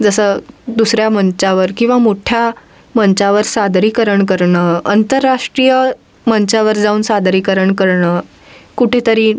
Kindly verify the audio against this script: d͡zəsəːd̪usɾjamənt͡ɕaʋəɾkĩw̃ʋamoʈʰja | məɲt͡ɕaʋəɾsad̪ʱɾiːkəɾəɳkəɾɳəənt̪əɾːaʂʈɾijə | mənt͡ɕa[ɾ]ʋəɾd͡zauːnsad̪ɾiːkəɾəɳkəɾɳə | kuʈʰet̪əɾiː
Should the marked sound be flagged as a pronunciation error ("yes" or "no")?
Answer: yes